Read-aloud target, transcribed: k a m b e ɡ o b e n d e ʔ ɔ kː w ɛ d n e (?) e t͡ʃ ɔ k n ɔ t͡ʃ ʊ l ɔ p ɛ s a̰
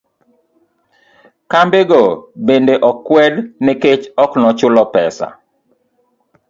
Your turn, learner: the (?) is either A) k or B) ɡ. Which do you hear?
A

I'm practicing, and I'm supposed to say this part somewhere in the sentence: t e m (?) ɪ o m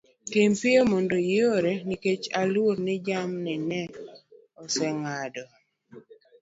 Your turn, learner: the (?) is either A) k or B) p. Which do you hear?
B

